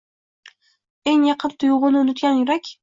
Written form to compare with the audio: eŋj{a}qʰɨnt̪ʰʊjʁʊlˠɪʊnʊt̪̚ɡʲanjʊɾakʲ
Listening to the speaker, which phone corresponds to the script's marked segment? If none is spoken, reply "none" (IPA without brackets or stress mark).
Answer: ɑ